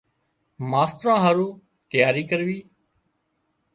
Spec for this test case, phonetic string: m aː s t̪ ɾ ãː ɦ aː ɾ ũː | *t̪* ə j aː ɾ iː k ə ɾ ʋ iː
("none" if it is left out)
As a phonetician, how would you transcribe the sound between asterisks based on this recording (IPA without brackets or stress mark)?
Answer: t̪